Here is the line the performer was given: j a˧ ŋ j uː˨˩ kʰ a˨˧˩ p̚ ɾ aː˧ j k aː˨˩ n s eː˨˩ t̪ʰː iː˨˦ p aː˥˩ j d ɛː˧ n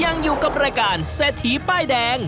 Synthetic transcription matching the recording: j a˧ ŋ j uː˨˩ k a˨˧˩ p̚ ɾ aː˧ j k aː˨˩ n s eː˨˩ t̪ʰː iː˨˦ p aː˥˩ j d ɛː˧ ŋ